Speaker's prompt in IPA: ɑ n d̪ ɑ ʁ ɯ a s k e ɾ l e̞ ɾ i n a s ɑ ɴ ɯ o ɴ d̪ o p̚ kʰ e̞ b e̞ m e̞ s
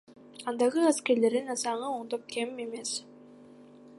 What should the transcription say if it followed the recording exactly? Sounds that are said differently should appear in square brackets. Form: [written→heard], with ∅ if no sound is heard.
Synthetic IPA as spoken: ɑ n d̪ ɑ ʁ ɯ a s k e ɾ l e̞ ɾ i n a s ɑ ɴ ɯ o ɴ d̪ o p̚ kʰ e̞ [b→m] e̞ m e̞ s